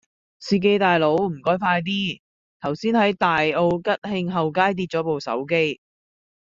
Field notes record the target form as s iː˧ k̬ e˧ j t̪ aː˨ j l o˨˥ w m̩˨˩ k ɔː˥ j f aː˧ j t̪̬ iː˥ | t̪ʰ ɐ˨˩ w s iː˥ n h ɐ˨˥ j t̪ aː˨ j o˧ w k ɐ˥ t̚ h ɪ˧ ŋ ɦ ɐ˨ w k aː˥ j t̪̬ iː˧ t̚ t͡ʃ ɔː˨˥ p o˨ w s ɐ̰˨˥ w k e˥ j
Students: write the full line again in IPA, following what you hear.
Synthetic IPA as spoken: s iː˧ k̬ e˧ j t̪ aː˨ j l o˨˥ w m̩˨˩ k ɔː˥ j f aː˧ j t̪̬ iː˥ | t̪ʰ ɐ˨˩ w s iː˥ n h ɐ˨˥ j t̪ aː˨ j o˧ w k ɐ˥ t̚ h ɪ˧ ŋ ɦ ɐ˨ w k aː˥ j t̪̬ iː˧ t̚ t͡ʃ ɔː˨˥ p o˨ w s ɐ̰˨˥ w k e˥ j